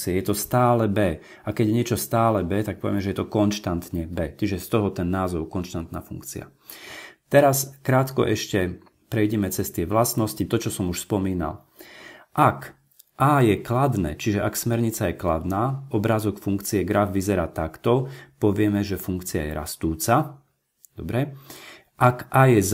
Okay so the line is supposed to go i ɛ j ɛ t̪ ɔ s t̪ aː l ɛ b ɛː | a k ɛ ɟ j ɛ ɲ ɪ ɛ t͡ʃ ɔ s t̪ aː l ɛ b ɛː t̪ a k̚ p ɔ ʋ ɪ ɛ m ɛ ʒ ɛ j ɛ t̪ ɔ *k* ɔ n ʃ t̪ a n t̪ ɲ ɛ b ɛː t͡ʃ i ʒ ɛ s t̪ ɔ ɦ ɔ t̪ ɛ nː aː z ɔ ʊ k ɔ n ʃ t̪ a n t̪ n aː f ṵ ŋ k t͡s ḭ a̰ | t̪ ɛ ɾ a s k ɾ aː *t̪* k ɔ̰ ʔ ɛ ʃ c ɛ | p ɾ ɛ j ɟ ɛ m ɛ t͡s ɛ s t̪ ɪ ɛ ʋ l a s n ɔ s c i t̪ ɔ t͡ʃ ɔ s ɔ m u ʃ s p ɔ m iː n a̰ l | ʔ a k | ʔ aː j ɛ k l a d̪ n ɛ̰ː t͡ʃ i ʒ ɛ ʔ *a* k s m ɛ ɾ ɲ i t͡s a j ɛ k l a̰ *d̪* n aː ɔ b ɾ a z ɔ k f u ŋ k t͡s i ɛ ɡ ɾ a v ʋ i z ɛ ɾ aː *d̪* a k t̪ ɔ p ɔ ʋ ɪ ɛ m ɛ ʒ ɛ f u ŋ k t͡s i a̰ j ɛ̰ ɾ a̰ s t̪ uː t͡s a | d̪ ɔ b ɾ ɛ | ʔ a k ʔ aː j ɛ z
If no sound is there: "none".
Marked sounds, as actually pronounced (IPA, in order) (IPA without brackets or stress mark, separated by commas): k, t̪, a, d̪, t̪